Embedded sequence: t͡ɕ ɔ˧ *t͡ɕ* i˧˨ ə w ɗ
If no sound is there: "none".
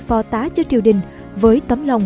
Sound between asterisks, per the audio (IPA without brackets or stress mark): t͡ɕ